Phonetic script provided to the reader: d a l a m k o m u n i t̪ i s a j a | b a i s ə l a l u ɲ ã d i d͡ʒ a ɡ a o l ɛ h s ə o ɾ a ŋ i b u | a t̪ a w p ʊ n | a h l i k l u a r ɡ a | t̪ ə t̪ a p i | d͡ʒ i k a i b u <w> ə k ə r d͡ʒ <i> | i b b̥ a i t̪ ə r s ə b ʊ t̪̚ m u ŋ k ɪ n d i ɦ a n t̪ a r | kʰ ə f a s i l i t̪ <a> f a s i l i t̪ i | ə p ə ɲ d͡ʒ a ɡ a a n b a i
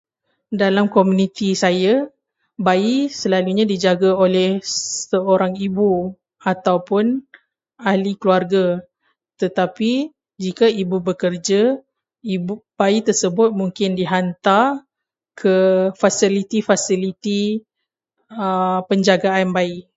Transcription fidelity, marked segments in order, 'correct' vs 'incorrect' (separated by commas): incorrect, incorrect, incorrect